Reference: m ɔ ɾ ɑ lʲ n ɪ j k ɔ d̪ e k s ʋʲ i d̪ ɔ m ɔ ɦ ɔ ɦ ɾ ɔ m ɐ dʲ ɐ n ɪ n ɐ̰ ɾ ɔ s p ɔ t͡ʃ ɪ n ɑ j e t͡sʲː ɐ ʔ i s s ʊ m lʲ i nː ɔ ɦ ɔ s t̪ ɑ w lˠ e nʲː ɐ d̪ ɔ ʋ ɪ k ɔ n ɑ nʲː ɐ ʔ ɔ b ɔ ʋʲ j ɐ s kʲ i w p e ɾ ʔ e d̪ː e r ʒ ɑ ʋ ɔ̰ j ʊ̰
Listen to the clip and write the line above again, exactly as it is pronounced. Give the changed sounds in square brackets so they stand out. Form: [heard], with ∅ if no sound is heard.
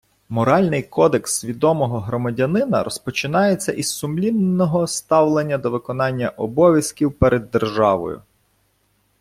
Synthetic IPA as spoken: m ɔ ɾ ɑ lʲ n ɪ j k ɔ d̪ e k s ʋʲ i d̪ ɔ m ɔ ɦ ɔ ɦ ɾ ɔ m ɐ dʲ ɐ n ɪ n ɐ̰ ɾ ɔ s p ɔ t͡ʃ ɪ n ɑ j e t͡sʲː ɐ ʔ i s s ʊ m lʲ i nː ɔ ɦ ɔ s t̪ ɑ w lˠ e nʲː ɐ d̪ ɔ ʋ ɪ k ɔ n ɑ nʲː ɐ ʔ ɔ b ɔ ʋʲ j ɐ s kʲ i w p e ɾ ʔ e d̪ː e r ʒ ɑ ʋ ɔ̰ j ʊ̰